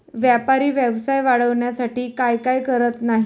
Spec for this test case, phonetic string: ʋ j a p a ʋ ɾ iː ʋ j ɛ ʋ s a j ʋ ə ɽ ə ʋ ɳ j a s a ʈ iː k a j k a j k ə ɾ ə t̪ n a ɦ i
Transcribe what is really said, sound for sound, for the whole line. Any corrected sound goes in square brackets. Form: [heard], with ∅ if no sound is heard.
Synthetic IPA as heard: ʋ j a p a [∅] ɾ iː ʋ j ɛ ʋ s a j ʋ [a] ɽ ə ʋ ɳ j a s a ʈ iː k a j k a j k ə ɾ ə t̪ n a ɦ i